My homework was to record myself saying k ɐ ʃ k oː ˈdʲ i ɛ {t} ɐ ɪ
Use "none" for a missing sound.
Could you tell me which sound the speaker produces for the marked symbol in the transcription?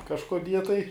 t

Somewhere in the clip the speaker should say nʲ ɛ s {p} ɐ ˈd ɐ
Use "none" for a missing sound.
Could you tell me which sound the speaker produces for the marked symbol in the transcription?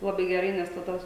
t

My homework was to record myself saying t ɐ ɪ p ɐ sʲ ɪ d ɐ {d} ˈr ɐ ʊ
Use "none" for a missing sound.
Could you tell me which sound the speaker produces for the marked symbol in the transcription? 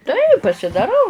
none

